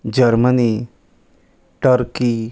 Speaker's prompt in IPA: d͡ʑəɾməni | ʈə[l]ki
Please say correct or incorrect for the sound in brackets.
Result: incorrect: ɾ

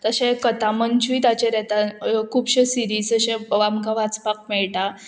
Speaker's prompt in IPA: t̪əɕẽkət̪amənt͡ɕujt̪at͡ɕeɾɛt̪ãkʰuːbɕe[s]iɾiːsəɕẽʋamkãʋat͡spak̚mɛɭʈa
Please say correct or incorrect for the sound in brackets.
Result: correct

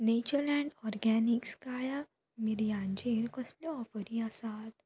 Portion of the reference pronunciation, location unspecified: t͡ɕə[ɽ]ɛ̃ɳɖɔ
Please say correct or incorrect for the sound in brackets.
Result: incorrect: l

